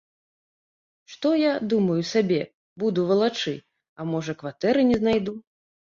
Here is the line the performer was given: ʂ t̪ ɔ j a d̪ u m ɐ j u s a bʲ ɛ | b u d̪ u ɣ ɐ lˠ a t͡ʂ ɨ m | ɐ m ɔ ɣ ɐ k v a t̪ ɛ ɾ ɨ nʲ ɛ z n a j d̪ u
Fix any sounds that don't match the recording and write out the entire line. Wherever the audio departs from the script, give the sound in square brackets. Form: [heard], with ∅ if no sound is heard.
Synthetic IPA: ʂ t̪ ɔ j a d̪ u m ɐ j u s a bʲ ɛ | b u d̪ u [v] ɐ lˠ a t͡ʂ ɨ [∅] | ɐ m ɔ [ʐ] ɐ k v a t̪ ɛ ɾ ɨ nʲ ɛ z n a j d̪ u